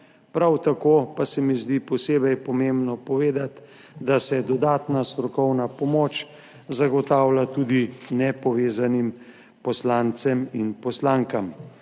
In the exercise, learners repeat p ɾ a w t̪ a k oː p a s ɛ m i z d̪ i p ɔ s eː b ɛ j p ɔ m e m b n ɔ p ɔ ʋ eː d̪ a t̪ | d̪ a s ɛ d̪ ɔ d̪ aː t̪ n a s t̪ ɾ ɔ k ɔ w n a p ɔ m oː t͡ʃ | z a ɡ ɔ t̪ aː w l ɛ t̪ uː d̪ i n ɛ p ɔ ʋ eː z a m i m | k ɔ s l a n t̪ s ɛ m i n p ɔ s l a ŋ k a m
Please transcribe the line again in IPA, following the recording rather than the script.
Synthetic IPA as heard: p ɾ a w t̪ a k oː p a s ɛ m i z d̪ i p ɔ s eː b ɛ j p ɔ m e m b n ɔ p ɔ ʋ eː d̪ a t̪ | d̪ a s ɛ d̪ ɔ d̪ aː t̪ n a s t̪ ɾ ɔ k ɔ w n a p ɔ m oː t͡ʃ | z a ɡ ɔ t̪ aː w l a t̪ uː d̪ i n ɛ p ɔ ʋ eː z a n i m | p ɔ s l a n t̪ s ɛ m i n p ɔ s l a ŋ k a m

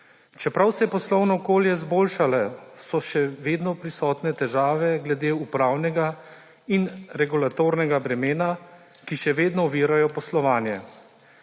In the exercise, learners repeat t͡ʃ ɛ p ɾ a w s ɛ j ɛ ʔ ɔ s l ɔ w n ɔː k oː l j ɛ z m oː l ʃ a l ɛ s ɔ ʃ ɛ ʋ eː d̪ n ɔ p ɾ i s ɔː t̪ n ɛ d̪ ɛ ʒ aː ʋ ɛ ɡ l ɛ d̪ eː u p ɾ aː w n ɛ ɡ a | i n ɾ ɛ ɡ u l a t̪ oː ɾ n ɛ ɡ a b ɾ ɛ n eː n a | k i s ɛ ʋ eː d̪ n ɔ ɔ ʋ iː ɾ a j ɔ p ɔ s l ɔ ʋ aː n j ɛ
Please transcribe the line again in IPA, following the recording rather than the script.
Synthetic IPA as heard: t͡ʃ ɛ p ɾ a w s ɛ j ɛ p ɔ s l ɔ w n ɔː k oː l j ɛ z b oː l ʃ a l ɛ s ɔ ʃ ɛ ʋ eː d̪ n ɔ p ɾ i s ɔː t̪ n ɛ t̪ ɛ ʒ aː ʋ ɛ ɡ l ɛ d̪ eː u p ɾ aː w n ɛ ɡ a | i n ɾ ɛ ɡ u l a t̪ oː ɾ n ɛ ɡ a b ɾ ɛ m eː n a | k i ʃ ɛ ʋ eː d̪ n ɔ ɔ ʋ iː ɾ a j ɔ p ɔ s l ɔ ʋ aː n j ɛ

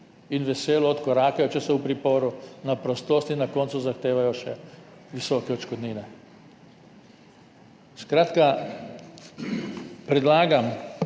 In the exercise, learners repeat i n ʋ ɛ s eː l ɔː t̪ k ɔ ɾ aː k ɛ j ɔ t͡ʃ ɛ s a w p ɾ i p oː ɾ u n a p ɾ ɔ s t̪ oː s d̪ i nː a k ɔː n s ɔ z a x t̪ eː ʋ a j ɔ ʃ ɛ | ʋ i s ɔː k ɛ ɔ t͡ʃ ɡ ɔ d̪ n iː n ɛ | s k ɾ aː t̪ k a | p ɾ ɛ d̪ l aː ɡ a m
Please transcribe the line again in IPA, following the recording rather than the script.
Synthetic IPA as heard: i n ʋ ɛ s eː l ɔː t̪ k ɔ ɾ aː k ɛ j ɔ t͡ʃ ɛ s ɛ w p ɾ i p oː ɾ u n a p ɾ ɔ s t̪ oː s t̪ i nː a k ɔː n s u z a x t̪ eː ʋ a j ɔ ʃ ɛ | ʋ i s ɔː k ɛ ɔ t͡ʃ k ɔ d̪ n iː n ɛ | s k ɾ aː t̪ k a | p ɾ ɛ d̪ l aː ɡ a m

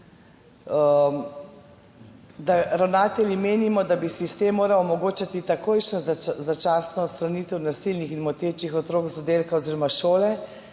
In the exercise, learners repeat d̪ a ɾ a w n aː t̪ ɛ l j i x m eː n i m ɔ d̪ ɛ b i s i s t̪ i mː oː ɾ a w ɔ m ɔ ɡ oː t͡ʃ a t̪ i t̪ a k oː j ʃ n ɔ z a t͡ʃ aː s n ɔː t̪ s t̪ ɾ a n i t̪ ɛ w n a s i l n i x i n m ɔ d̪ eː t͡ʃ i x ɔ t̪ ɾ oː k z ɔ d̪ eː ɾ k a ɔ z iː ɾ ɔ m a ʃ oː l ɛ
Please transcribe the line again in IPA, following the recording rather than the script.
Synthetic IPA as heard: d̪ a ɾ a w n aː t̪ ɛ l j i m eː n i m ɔ d̪ a b i s i s t̪ e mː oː ɾ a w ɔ m ɔ ɡ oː t͡ʃ a t̪ i t̪ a k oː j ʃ n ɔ z a t͡ʃ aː s n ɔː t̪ s t̪ ɾ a n i t̪ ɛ w n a s i l n i x i n m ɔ t̪ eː t͡ʃ i x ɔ t̪ ɾ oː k z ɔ d̪ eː l k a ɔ z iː ɾ ɔ m a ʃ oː l ɛ

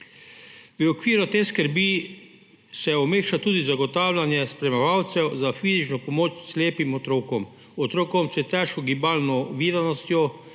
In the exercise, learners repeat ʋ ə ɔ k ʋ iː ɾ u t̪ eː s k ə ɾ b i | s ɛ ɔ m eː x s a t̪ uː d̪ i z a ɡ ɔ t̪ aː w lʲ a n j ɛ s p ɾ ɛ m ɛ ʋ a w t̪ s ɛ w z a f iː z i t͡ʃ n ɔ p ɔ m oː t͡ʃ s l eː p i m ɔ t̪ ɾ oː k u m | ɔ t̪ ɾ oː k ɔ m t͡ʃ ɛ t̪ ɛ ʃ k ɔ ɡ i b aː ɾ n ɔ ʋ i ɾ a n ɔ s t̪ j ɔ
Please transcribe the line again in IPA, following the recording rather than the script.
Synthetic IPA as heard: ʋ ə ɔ k ʋ iː ɾ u t̪ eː s k ə ɾ b i | s ɛ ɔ m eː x ʃ a t̪ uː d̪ i z a ɡ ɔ t̪ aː w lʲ a n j ɛ s p ɾ ɛ m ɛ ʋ a w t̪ s ɛ w z a f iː z i t͡ʃ n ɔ p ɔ m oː t͡ʃ s l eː p i m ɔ t̪ ɾ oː k ɔ m | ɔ t̪ ɾ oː k ɔ m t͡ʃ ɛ t̪ ɛ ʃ k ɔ ɡ i b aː l n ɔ ʋ i ɾ a n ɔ s t̪ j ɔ

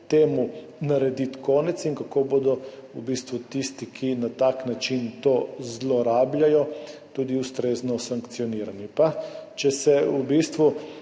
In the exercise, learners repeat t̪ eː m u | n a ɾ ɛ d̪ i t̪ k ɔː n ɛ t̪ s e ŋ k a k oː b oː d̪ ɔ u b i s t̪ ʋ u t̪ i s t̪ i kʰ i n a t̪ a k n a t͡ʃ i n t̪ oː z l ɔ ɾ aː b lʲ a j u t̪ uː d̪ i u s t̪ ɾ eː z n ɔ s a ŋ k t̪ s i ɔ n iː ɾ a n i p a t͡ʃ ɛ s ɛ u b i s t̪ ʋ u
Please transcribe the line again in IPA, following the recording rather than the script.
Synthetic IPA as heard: t̪ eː m u | n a ɾ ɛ d̪ i t̪ k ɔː n ɛ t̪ s i ŋ k a k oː b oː d̪ ɔ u b i s t̪ ʋ u t̪ i s t̪ i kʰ i n a t̪ a k n a t͡ʃ i n t̪ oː z l ɔ ɾ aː b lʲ a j ɔ t̪ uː d̪ i u s t̪ ɾ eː z n ɔ s a ŋ k t̪ s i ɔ n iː ɾ a n i p a t͡ʃ ɛ s ɛ u b i s t̪ ʋ u

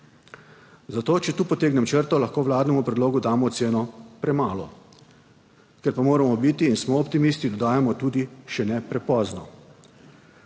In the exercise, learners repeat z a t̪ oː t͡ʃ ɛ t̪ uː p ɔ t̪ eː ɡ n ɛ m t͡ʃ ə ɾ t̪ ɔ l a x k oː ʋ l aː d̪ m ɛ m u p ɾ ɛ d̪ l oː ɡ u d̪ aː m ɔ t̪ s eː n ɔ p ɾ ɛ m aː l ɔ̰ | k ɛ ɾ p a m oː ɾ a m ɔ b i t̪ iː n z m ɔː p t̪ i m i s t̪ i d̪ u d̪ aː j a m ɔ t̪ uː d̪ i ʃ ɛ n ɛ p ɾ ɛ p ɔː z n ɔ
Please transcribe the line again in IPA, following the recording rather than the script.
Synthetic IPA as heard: z a t̪ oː t͡ʃ ɛ t̪ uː p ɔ t̪ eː ɡ n ɛ m t͡ʃ ə ɾ t̪ ɔ l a x k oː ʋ l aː d̪ n ɛ m u p ɾ ɛ d̪ l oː ɡ u d̪ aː m ɔ t̪ s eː n ɔ p ɾ ɛ m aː l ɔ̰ | k ɛ ɾ p a m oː ɾ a m ɔ b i t̪ iː n s m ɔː p t̪ i m i s t̪ i d̪ ɔ d̪ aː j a m ɔ t̪ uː d̪ i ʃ ɛ n ɛ p ɾ ɛ p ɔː z n ɔ

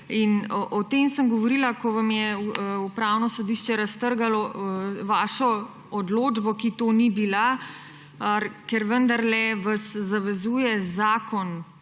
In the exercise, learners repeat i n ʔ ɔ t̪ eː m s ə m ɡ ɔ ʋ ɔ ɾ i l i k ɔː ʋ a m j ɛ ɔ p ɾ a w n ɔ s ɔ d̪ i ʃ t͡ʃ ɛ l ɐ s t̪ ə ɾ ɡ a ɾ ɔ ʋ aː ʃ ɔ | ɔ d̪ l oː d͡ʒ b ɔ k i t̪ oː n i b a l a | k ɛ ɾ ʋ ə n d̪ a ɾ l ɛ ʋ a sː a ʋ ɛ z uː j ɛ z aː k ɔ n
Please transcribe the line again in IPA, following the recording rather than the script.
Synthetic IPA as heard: i n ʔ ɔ t̪ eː m s ə m ɡ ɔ ʋ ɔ ɾ i l a k ɔ ʋ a m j ɛ u p ɾ a w n ɔ s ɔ d̪ i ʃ t͡ʃ ɛ ɾ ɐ s t̪ ə ɾ ɡ a l ɔ ʋ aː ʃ ɔ | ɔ d̪ l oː d͡ʒ b ɔ k i t̪ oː n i b i l a | k ɛ ɾ ʋ ə n d̪ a ɾ l ɛ ʋ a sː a ʋ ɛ z uː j ɛ z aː k ɔ n

